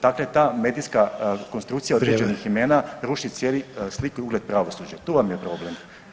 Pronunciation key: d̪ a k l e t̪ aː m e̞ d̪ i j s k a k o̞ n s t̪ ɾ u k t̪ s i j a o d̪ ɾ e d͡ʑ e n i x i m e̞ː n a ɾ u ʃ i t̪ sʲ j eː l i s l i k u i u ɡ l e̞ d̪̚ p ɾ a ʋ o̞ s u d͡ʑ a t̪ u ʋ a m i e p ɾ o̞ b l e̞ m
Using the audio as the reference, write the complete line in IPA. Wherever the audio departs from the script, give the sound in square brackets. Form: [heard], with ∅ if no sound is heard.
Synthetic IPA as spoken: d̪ a k l e t̪ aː m e̞ d̪ i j s k a k o̞ n s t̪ ɾ u k t̪ s i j a o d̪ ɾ e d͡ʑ e n i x i m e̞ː n a ɾ u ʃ i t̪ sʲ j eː l i s l i k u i u ɡ l e̞ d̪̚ p ɾ a ʋ o̞ s u d͡ʑ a t̪ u ʋ a m [j] e p ɾ o̞ b l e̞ m